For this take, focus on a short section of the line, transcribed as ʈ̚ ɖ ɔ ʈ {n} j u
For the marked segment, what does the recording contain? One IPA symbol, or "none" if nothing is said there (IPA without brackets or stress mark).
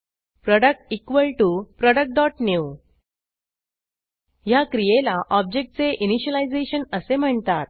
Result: n